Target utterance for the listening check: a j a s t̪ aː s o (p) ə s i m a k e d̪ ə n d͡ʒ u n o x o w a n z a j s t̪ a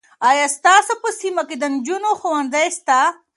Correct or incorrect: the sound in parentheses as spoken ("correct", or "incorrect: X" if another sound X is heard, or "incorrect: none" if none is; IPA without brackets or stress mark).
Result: correct